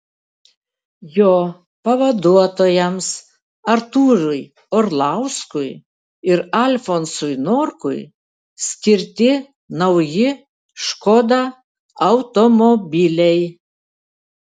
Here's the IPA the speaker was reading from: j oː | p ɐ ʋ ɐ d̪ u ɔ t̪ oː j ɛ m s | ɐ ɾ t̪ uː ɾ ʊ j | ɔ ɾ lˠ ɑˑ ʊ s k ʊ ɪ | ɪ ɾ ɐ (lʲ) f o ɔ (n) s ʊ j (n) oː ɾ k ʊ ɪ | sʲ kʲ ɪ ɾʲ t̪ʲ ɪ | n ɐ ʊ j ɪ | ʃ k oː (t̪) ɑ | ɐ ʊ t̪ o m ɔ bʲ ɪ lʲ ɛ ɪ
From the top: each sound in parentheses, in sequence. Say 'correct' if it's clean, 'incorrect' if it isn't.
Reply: correct, correct, correct, incorrect

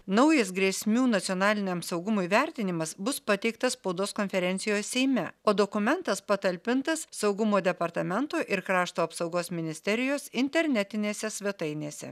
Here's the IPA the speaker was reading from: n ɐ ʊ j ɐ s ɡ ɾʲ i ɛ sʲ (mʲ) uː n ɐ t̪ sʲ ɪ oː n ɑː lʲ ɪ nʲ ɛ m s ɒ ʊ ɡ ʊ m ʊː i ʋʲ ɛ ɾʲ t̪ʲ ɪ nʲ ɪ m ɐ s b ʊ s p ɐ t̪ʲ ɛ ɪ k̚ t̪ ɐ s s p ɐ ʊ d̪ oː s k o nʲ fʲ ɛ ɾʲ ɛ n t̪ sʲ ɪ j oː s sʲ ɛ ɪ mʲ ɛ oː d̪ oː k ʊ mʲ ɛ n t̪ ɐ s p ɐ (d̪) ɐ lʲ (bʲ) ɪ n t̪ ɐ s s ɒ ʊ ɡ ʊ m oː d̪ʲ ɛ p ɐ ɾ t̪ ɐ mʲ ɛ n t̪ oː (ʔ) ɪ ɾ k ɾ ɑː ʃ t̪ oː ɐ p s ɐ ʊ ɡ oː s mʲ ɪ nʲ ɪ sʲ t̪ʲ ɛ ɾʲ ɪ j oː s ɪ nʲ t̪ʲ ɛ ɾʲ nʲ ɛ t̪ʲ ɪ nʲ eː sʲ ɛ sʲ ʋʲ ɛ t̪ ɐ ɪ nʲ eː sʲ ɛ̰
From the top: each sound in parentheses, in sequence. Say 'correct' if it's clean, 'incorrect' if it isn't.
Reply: correct, incorrect, incorrect, correct

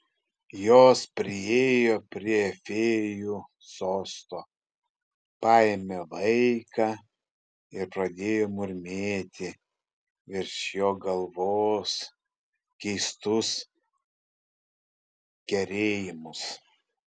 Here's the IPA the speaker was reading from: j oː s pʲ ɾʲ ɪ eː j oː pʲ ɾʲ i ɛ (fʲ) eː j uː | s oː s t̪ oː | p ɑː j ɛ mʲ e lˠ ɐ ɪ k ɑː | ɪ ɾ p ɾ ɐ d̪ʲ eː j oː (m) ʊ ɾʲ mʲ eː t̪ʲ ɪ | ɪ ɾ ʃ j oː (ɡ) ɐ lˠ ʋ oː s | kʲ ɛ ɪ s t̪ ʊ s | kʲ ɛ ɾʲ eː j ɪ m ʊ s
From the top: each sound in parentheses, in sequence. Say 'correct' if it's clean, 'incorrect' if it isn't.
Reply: correct, correct, correct

